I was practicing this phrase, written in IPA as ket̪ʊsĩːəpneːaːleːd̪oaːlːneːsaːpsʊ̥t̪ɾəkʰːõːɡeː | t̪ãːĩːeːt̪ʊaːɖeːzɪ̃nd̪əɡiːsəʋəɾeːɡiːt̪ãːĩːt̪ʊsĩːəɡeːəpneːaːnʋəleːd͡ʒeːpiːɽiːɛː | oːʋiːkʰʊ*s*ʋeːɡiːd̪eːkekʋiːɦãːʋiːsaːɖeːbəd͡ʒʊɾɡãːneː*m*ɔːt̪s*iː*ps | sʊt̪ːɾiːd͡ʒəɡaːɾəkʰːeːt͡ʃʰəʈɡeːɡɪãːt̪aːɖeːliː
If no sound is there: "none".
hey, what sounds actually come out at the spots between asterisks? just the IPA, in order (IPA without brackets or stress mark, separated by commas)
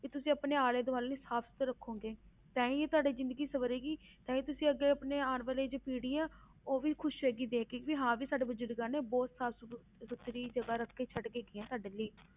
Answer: ʃ, b, aː